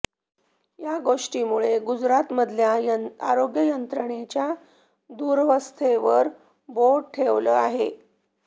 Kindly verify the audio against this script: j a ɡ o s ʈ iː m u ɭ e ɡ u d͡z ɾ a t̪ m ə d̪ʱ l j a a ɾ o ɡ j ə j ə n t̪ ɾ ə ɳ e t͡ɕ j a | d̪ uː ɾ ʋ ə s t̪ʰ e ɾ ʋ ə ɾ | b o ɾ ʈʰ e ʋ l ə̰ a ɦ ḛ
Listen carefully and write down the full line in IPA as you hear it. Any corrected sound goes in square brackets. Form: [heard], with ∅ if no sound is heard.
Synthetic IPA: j a ɡ o [ʂ] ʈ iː m u ɭ e ɡ u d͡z ɾ a t̪ m ə d̪ʱ l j a a ɾ o ɡ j ə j ə n t̪ ɾ ə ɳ e t͡ɕ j a | d̪ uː ɾ ʋ ə s t̪ʰ e [∅] ʋ ə ɾ | b o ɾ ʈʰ e ʋ l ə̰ a ɦ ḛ